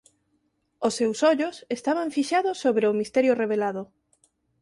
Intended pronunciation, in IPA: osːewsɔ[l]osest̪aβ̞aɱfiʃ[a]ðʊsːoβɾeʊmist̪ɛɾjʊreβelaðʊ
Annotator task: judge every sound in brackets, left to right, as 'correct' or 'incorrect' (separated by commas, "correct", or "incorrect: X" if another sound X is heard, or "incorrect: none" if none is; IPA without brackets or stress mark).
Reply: incorrect: ʎ, correct